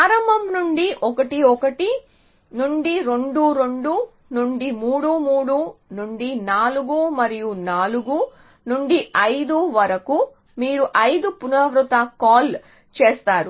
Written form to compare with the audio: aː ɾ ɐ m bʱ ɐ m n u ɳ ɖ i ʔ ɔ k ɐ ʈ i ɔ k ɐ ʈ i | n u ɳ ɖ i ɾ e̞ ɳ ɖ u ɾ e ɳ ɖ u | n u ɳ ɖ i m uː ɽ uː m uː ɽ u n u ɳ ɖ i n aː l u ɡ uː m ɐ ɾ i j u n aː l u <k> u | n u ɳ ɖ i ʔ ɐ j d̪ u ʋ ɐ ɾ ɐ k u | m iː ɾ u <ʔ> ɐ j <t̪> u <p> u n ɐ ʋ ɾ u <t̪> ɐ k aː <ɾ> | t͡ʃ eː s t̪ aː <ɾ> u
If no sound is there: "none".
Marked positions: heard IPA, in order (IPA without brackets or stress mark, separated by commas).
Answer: ɡ, ʔ, d̪, p, t̪, l, ɾ